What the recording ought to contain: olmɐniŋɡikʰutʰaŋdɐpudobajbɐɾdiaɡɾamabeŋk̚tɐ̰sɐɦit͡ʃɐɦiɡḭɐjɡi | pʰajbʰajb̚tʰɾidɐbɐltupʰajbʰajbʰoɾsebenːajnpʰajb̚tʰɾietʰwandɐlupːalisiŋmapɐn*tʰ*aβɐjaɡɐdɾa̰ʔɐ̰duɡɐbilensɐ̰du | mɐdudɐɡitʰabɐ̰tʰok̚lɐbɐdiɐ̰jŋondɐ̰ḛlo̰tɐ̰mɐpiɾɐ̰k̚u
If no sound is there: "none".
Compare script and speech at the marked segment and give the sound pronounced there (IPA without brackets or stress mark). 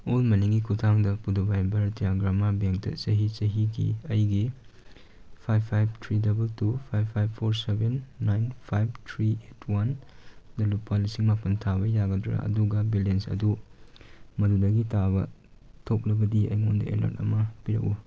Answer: tʰ